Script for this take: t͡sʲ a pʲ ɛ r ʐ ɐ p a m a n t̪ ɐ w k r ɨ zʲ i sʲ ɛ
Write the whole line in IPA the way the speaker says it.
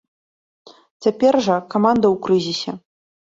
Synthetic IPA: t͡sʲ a pʲ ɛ r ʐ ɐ k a m a n d̪ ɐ w k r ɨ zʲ i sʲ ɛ